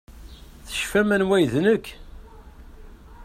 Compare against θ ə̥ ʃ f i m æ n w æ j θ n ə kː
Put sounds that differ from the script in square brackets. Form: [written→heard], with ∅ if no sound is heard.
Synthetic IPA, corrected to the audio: θ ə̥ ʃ f [i→æ] m æ n w æ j [θ→ð] n ə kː